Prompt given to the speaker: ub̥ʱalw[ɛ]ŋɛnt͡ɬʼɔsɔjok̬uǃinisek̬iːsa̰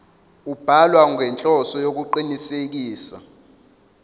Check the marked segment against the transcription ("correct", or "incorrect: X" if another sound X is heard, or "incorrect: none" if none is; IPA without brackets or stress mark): incorrect: a